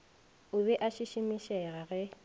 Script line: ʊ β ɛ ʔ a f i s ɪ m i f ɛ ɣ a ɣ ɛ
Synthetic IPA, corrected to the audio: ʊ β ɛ ʔ a ʃ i ʃ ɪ m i ʃ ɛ ɣ a ɣ ɛ